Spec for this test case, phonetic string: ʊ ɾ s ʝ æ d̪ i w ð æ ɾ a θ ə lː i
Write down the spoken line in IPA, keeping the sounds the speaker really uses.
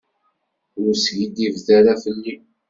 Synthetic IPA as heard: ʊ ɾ s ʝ i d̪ i v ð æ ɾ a f ə lː i